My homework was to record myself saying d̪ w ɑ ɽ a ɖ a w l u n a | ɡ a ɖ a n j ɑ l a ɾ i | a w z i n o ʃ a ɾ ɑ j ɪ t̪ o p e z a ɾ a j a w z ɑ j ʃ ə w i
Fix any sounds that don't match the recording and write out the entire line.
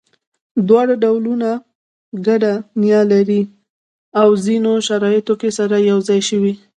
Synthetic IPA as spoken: d̪ w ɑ ɽ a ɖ a w l u n a | ɡ a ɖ a n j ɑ l a ɾ i | a w z i n o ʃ a ɾ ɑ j ɪ t̪ o k e s a ɾ a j a w z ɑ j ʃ ə w i